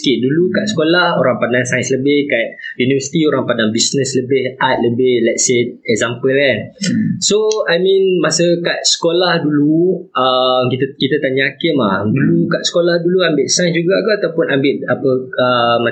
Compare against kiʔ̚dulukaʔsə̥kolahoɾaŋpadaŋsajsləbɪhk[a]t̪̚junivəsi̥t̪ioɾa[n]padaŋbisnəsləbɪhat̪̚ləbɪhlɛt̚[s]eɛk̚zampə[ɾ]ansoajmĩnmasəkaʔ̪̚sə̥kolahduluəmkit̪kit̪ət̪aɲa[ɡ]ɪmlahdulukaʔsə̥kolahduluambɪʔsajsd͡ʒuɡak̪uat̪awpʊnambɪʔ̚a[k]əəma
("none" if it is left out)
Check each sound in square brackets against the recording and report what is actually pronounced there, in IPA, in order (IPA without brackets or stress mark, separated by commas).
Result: a, ŋ, s, l, k, p